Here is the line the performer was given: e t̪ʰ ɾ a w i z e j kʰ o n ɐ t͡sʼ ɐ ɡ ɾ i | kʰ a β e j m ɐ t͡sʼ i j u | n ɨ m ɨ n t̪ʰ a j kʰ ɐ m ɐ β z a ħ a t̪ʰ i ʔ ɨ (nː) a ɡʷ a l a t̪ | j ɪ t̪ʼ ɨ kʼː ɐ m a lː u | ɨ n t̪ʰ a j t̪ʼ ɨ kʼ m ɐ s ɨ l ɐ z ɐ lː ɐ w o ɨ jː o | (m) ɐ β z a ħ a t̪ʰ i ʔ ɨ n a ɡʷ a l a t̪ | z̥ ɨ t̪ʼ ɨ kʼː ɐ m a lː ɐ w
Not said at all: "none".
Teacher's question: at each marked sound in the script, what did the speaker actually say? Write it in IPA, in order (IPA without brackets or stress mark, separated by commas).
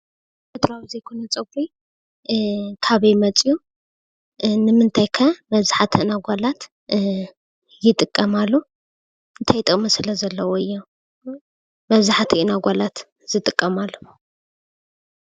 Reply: n, m